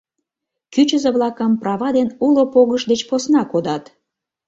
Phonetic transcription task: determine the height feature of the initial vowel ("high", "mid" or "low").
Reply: high